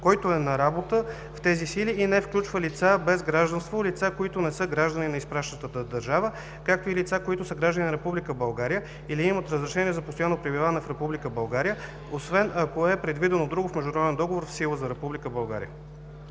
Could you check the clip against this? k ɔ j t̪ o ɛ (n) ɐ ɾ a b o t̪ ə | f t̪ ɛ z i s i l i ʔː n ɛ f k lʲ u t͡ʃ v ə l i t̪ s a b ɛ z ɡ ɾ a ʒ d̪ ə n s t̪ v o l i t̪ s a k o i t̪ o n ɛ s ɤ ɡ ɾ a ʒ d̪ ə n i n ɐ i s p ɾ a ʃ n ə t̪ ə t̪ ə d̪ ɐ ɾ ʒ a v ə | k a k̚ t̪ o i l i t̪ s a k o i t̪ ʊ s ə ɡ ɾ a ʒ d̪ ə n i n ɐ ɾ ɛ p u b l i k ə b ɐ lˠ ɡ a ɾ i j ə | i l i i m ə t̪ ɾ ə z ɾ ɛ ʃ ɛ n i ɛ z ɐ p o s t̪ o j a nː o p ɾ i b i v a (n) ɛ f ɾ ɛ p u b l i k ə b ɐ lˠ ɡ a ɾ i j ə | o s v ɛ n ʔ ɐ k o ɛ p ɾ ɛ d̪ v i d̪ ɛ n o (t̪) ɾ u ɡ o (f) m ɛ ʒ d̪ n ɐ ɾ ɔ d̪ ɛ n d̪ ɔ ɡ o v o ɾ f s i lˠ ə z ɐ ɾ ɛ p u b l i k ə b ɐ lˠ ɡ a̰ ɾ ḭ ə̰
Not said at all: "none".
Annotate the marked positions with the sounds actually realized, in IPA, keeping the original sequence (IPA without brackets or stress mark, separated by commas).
n, n, d̪, f